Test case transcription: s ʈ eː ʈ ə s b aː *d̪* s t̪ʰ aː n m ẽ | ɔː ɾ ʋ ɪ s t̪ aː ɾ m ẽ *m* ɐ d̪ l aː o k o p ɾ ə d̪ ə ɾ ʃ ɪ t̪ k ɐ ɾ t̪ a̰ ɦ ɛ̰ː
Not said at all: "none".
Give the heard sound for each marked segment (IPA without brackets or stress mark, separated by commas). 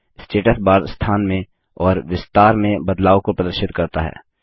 d̪, b